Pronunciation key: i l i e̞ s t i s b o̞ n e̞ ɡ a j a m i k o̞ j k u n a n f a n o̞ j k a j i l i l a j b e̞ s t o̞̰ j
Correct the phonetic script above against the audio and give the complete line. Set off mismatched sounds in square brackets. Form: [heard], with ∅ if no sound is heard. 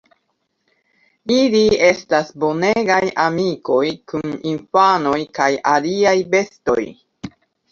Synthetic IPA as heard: i l i e̞ s t [a] s b o̞ n e̞ ɡ a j a m i k o̞ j k u n [i] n f a n o̞ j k a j [a] l i [∅] a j b e̞ s t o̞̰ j

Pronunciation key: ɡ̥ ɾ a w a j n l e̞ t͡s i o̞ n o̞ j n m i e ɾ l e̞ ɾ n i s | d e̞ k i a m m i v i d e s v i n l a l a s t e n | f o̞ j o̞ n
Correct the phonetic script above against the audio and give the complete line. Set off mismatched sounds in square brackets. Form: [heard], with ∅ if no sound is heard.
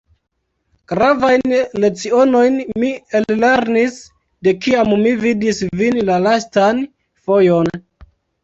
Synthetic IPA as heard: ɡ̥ ɾ a [v] a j n l e̞ t͡s i o̞ n o̞ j n m i e [l] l e̞ ɾ n i s | d e̞ k i a m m i v i d [i] s v i n l a l a s t [a] n | f o̞ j o̞ n

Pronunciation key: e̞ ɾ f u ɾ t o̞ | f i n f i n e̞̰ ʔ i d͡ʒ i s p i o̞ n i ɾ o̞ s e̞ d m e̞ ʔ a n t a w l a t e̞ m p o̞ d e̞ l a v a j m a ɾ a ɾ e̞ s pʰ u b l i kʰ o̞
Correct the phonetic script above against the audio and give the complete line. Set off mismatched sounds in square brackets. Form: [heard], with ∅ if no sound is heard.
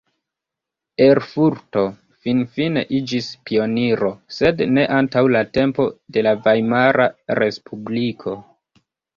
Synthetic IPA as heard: e̞ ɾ f u ɾ t o̞ | f i n f i n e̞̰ ʔ i d͡ʒ i s p i o̞ n i ɾ o̞ s e̞ d [n] e̞ ʔ a n t a w l a t e̞ m p o̞ d e̞ l a v a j m a ɾ a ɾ e̞ s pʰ u b l i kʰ o̞

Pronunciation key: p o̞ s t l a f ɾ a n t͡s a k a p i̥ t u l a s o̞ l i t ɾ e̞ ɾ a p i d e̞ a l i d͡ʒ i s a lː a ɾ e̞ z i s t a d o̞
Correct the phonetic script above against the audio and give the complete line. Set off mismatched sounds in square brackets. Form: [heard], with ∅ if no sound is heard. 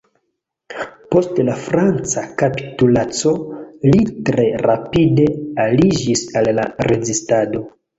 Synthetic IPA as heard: p o̞ s t l a f ɾ a n t͡s a k a p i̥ t u l a [t͡s] o̞ l i t ɾ e̞ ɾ a p i d e̞ a l i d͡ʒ i s a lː a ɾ e̞ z i s t a d o̞

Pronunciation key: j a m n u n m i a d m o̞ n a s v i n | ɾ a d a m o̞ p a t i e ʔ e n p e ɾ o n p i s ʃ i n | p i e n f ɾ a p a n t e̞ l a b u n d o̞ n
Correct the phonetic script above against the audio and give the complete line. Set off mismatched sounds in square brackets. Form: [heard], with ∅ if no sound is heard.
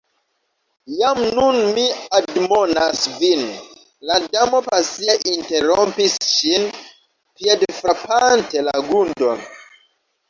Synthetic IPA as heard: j a m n u n m i a d m o̞ n a s v i n | [l] a d a m o̞ p a [s] i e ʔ [i] n [t] e ɾ o [m] p i s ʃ i n | p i e [d] f ɾ a p a n t e̞ l a [ɡ] u n d o̞ n

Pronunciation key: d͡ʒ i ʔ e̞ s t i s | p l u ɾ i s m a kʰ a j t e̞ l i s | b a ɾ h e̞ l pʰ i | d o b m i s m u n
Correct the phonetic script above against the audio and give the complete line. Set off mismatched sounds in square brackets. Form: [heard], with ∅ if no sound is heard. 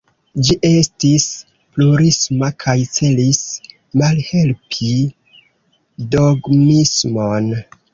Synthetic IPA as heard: d͡ʒ i ʔ e̞ s t i s | p l u ɾ i s m a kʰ a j [t͡s] e̞ l i s | [m] a [l] h e̞ l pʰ i | d o [ɡ] m i s m [o] n

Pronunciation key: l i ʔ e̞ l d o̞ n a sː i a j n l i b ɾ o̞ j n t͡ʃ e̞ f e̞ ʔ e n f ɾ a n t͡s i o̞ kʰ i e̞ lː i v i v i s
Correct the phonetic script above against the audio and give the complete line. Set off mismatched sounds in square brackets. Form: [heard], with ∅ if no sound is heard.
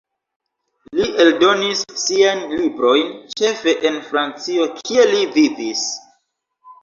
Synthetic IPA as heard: l i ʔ e̞ l d o̞ n [i] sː i a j n l i b ɾ o̞ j n t͡ʃ e̞ f e̞ ʔ e n f ɾ a n t͡s i o̞ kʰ i e̞ [l] i v i v i s

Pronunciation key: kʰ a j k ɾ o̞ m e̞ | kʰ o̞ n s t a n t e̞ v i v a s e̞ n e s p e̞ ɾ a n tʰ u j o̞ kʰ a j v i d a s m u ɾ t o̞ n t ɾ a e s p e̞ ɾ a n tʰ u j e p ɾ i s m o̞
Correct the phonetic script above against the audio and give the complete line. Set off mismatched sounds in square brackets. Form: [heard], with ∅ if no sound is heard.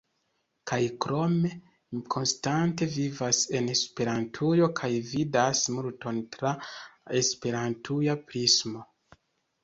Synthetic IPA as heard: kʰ a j k ɾ o̞ m e̞ | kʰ o̞ n s t a n t e̞ v i v a s e̞ n e s p e̞ ɾ a n tʰ u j o̞ kʰ a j v i d a s m u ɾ t o̞ n t ɾ a e s p e̞ ɾ a n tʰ u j [a] p ɾ i s m o̞

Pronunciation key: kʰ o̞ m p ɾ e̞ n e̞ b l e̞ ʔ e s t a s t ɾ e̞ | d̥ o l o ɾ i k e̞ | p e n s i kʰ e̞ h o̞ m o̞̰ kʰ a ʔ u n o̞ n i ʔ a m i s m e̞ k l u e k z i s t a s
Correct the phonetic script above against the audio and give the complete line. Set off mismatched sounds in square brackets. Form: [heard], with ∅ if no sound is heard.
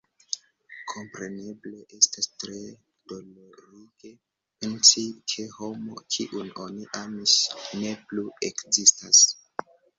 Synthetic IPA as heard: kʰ o̞ m p ɾ e̞ n e̞ b l e̞ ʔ e s t a s t ɾ e̞ | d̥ o l o ɾ i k e̞ | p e n s i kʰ e̞ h o̞ m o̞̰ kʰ [i] ʔ u n o̞ n i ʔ a m i s [n] e̞ [p] l u e k z i s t a s

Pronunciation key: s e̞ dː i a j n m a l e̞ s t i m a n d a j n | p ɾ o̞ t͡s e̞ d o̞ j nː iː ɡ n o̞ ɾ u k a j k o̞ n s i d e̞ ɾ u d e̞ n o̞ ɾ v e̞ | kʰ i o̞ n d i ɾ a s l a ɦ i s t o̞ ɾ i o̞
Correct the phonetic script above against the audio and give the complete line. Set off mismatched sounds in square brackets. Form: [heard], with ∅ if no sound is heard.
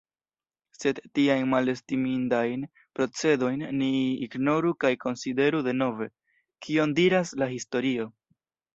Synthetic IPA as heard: s e̞ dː i a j n m a l e̞ s t i m [i] n d a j n | p ɾ o̞ t͡s e̞ d o̞ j nː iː ɡ n o̞ ɾ u k a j k o̞ n s i d e̞ ɾ u d e̞ n o̞ [∅] v e̞ | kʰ i o̞ n d i ɾ a s l a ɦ i s t o̞ ɾ i o̞

